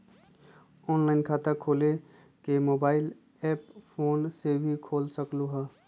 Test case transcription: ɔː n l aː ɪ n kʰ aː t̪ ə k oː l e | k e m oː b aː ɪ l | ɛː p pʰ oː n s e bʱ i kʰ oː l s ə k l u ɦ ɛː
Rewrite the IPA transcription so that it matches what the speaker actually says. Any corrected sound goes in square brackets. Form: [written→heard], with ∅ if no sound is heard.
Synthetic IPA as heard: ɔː n l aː ɪ n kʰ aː t̪ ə [k→kʰ] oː l e | k e m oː b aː ɪ l | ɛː p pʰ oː n s e bʱ i kʰ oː l s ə k l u ɦ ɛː